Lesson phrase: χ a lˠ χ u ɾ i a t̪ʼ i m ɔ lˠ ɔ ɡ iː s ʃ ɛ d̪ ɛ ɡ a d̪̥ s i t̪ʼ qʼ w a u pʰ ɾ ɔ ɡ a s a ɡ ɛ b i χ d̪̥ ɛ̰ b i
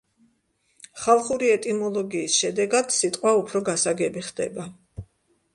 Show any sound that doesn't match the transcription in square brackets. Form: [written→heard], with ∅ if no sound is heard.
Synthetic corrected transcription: χ a lˠ χ u ɾ i [a→ɛ] t̪ʼ i m ɔ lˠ ɔ ɡ iː s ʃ ɛ d̪ ɛ ɡ a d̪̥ s i t̪ʼ qʼ w a u pʰ ɾ ɔ ɡ a s a ɡ ɛ b i χ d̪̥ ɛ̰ b [i→a]